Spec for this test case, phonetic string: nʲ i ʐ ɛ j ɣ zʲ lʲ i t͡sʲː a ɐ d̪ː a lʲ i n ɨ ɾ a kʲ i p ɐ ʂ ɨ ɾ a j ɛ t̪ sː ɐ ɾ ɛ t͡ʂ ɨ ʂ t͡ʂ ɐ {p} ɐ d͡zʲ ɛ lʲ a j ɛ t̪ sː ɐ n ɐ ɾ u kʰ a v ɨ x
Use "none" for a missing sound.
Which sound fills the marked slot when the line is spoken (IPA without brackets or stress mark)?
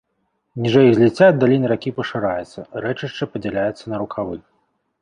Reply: p